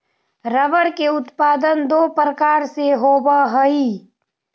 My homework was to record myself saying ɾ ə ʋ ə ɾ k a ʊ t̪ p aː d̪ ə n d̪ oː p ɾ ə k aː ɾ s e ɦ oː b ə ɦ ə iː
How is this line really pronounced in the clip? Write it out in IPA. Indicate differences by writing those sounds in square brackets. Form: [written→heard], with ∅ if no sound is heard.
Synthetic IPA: ɾ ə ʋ ə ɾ k [a→e] ʊ t̪ p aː d̪ ə n d̪ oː p ɾ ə k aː ɾ s e ɦ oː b [ə→a] ɦ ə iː